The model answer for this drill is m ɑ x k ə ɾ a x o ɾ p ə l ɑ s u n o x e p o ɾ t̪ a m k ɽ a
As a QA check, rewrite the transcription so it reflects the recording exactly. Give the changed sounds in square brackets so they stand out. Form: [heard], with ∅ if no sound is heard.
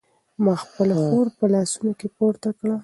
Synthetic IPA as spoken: m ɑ x [p] ə [l] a x o ɾ p ə l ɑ s u n o [k] e p o ɾ t̪ a [∅] k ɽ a